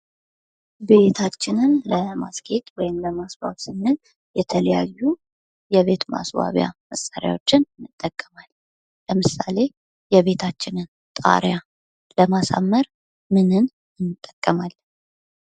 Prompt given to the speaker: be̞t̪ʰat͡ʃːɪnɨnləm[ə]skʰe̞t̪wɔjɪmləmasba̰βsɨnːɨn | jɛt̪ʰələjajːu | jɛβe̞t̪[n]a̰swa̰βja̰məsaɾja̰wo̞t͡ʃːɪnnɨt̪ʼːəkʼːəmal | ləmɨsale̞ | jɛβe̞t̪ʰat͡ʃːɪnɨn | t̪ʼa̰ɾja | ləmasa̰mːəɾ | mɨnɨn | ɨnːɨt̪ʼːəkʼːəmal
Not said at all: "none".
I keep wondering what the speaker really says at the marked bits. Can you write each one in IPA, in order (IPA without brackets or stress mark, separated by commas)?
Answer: a, m